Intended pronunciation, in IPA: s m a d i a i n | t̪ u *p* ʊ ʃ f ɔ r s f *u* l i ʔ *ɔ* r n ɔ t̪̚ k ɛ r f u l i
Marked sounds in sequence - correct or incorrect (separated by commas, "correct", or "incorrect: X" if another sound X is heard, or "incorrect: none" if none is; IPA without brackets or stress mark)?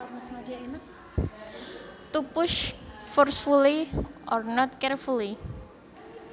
correct, correct, correct